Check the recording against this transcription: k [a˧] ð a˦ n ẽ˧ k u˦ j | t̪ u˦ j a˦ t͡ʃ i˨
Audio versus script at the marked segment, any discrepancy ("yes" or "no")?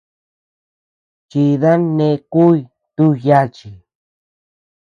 yes